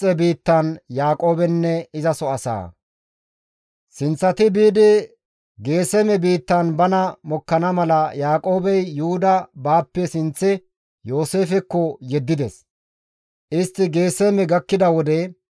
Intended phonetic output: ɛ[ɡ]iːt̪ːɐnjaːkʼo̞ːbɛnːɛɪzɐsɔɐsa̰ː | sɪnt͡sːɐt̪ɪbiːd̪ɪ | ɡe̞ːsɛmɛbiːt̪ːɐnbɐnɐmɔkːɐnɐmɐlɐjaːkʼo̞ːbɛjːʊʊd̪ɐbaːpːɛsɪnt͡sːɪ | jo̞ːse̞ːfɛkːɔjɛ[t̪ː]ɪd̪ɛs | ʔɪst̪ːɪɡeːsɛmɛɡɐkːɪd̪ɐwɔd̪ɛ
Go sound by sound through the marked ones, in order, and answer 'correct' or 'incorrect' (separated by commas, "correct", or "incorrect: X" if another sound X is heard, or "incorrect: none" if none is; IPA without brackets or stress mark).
incorrect: b, incorrect: d̪ː